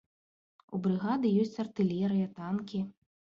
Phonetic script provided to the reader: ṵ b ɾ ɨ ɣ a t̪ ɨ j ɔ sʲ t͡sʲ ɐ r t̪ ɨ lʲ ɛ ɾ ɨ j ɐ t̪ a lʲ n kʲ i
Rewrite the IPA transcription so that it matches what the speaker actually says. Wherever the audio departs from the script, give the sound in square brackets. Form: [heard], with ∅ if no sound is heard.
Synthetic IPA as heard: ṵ b ɾ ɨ ɣ a [d̪] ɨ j ɔ sʲ t͡sʲ ɐ r t̪ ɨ lʲ ɛ ɾ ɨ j ɐ t̪ a [∅] n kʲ i